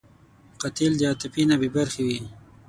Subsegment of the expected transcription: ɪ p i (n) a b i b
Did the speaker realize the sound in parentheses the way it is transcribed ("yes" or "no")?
yes